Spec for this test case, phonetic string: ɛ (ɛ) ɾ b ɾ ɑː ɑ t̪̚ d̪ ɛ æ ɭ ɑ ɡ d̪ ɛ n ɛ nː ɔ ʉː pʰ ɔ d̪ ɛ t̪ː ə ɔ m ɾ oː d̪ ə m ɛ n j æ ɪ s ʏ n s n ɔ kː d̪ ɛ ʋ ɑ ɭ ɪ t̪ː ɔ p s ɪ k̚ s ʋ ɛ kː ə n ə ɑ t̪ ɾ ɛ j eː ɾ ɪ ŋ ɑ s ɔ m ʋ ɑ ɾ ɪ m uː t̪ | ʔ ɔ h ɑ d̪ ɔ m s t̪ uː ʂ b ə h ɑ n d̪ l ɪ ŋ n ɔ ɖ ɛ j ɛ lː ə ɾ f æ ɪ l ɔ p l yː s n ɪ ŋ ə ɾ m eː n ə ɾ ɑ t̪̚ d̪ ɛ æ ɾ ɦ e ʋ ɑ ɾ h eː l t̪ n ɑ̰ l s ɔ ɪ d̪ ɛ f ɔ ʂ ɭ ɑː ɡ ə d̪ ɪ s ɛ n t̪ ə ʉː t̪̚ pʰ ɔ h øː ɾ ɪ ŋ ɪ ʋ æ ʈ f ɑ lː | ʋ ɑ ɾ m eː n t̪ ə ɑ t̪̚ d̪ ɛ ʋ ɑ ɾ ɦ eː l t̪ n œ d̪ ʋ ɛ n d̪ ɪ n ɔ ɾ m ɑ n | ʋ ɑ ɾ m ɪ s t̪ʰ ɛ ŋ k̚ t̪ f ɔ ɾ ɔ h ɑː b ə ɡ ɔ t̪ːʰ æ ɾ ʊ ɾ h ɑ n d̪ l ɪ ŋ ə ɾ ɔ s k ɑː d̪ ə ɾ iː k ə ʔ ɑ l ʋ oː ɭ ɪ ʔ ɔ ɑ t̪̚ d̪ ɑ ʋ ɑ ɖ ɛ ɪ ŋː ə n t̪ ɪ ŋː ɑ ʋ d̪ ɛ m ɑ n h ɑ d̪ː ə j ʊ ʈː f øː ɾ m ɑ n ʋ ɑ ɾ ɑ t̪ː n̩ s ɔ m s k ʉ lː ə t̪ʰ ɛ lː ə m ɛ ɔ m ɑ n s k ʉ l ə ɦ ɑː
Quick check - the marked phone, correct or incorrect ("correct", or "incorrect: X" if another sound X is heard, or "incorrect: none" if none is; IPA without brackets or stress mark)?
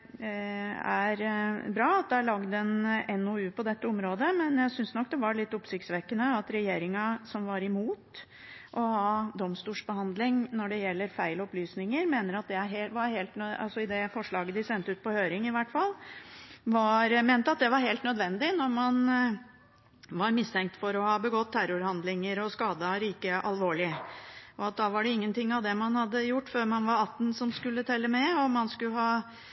incorrect: æ